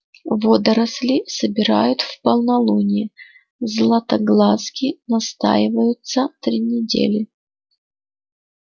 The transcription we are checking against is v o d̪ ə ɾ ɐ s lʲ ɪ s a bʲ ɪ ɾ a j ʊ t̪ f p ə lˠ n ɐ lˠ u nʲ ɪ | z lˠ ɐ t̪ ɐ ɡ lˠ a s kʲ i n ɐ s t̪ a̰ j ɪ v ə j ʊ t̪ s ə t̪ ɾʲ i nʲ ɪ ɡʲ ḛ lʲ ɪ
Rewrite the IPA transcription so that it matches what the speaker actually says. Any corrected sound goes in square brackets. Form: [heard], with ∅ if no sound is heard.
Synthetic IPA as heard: v o d̪ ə ɾ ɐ s lʲ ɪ s [ə] bʲ ɪ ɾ a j ʊ t̪ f p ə lˠ n ɐ lˠ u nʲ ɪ | z lˠ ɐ t̪ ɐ ɡ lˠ a s kʲ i n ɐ s t̪ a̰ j ɪ v ə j ʊ t̪ s ə t̪ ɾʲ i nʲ ɪ [dʲ] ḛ lʲ ɪ